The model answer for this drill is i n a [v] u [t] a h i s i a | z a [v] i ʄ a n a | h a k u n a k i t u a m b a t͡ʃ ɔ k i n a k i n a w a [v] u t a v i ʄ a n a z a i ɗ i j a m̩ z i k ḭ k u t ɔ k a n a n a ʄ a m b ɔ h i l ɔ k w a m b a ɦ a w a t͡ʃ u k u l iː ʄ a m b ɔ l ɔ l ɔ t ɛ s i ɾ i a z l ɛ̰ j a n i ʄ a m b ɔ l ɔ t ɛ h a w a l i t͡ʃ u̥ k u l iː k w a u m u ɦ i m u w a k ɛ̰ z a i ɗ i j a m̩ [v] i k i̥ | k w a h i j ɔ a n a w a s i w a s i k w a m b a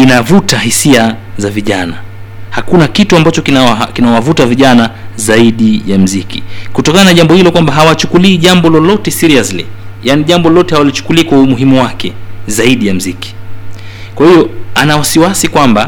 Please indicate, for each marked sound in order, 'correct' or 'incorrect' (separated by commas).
correct, correct, correct, correct, incorrect